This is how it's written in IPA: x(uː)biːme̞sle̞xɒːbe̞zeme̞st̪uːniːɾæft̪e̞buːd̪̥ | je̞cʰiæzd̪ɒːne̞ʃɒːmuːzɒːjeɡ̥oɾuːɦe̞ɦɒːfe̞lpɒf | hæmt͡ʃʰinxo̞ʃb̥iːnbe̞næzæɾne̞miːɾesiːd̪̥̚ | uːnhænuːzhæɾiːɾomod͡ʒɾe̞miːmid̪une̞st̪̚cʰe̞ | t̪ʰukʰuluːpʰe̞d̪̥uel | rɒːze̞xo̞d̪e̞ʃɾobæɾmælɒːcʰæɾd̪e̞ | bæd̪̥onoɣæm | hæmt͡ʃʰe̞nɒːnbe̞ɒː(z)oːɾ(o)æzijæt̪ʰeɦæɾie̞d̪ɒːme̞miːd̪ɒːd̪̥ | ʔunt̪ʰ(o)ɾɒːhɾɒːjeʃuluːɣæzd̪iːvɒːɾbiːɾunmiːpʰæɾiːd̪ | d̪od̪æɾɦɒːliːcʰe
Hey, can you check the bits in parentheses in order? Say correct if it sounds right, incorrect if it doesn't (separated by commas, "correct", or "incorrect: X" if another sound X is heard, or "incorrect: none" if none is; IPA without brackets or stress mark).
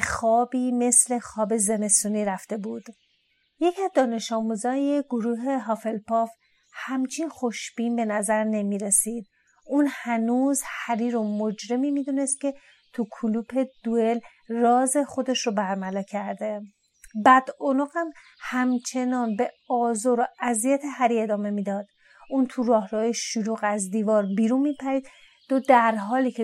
incorrect: ɒː, correct, correct, incorrect: u